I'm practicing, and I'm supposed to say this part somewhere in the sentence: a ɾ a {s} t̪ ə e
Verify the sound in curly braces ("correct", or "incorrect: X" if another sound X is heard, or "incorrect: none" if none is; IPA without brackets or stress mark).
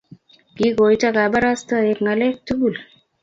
correct